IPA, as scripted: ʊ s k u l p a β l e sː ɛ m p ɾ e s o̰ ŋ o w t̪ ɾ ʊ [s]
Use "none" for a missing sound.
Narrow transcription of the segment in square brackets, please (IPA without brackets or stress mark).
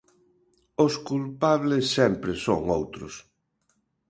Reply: s